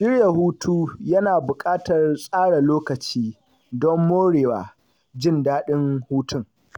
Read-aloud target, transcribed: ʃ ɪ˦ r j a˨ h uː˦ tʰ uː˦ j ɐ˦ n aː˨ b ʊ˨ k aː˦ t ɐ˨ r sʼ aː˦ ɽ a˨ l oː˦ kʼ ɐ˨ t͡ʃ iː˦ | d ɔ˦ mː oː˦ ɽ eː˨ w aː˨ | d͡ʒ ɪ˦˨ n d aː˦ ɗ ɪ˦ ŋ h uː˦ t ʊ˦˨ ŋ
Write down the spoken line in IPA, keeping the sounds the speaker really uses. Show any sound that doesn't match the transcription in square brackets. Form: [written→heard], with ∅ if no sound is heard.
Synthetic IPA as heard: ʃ ɪ˦ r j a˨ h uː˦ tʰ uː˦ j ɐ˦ n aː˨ b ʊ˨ [k→kʼ] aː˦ t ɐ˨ r sʼ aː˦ ɽ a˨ l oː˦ [kʼ→k] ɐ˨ t͡ʃ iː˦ | d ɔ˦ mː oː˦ ɽ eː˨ w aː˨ | d͡ʒ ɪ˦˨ n d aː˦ ɗ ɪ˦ ŋ h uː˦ t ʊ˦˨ ŋ